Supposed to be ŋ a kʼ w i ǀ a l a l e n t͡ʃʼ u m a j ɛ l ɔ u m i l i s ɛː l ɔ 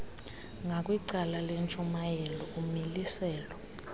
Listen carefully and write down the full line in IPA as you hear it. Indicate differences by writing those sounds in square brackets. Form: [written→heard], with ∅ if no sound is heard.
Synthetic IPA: ŋ a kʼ w i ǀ a l a l e n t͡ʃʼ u m a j ɛ l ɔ u m i l i s ɛː l ɔ